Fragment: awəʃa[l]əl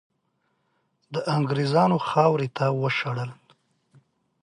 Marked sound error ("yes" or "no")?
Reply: yes